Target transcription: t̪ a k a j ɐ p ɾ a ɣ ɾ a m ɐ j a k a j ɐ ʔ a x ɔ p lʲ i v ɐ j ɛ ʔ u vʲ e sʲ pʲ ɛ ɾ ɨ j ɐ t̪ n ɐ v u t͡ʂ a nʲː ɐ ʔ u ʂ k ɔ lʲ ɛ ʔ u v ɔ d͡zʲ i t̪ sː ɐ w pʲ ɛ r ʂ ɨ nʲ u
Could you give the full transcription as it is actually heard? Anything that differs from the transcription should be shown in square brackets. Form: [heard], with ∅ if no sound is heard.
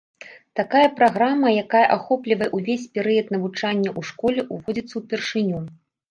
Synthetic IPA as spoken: t̪ a k a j ɐ p ɾ a ɣ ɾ a m ɐ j a k a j ɐ ʔ a x ɔ p lʲ i v ɐ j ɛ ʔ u vʲ e sʲ pʲ ɛ ɾ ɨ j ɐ t̪ n ɐ v u t͡ʂ a nʲː ɐ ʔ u ʂ k ɔ lʲ ɛ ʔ u v ɔ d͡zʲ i t̪ sː ɐ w pʲ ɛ r ʂ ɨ nʲ u

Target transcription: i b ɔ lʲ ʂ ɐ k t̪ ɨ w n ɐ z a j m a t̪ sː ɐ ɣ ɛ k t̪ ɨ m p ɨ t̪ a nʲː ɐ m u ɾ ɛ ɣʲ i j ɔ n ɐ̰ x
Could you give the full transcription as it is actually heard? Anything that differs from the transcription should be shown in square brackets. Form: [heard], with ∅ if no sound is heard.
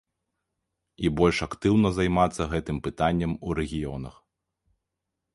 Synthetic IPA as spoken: i b ɔ lʲ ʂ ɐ k t̪ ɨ w n ɐ z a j m a t̪ sː ɐ ɣ ɛ [∅] t̪ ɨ m p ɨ t̪ a nʲː ɐ m u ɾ ɛ ɣʲ i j ɔ n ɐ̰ x

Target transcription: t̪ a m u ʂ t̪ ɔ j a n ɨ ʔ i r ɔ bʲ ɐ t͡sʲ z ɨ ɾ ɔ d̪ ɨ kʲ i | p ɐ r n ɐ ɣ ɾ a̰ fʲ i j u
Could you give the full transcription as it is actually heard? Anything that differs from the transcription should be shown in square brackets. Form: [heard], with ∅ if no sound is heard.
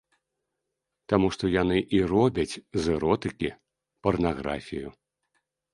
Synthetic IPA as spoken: t̪ a m u ʂ t̪ ɔ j a n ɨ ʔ i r ɔ bʲ ɐ t͡sʲ z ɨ ɾ ɔ [t̪] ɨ kʲ i | p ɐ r n [a] ɣ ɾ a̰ fʲ i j u

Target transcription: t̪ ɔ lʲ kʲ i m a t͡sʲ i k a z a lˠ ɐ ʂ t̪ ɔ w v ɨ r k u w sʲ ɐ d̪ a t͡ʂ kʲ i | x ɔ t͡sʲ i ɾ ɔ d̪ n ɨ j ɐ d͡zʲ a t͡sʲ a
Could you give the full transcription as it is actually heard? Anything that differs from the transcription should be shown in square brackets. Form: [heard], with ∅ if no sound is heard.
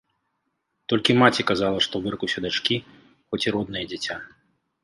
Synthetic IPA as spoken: t̪ ɔ lʲ kʲ i m a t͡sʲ i k a z a lˠ ɐ ʂ t̪ ɔ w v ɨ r k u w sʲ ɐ d̪ a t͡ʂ kʲ i | x ɔ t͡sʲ i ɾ ɔ d̪ n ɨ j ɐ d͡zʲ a t͡sʲ a

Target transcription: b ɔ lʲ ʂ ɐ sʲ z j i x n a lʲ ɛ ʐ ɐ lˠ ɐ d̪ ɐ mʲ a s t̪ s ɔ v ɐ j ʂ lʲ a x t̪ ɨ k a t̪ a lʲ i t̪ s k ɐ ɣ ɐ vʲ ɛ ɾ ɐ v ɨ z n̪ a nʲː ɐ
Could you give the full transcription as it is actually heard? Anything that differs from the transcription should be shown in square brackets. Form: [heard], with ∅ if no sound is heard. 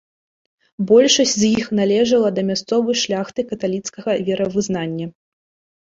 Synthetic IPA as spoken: b ɔ lʲ ʂ ɐ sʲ z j i x n a lʲ ɛ ʐ ɐ lˠ ɐ d̪ ɐ mʲ a s t̪ s ɔ v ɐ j ʂ lʲ a x t̪ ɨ k [ɐ] t̪ a lʲ i t̪ s k ɐ ɣ ɐ vʲ ɛ ɾ ɐ v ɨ z n̪ a nʲː ɐ

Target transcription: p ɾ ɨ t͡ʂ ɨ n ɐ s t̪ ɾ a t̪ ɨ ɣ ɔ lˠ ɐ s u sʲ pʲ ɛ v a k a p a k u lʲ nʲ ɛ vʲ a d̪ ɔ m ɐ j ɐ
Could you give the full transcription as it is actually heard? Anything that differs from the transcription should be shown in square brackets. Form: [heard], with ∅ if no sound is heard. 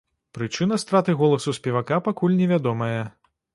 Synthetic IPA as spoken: p ɾ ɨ t͡ʂ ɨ n ɐ s t̪ ɾ a t̪ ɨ ɣ ɔ lˠ ɐ s u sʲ pʲ ɛ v a k a p a k u lʲ nʲ ɛ vʲ a d̪ ɔ m ɐ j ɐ

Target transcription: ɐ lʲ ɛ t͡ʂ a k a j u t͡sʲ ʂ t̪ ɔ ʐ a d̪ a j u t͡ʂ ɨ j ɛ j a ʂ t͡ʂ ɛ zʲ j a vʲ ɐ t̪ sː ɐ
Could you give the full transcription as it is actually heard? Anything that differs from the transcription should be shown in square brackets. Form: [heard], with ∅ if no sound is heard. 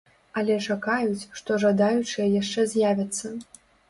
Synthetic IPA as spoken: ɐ lʲ ɛ t͡ʂ a k a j u t͡sʲ ʂ t̪ ɔ ʐ a d̪ a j u t͡ʂ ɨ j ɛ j a ʂ t͡ʂ ɛ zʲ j a vʲ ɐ t̪ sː ɐ

